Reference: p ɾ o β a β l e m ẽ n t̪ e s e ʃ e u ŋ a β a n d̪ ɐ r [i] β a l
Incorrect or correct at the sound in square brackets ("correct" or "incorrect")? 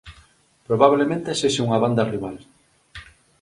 correct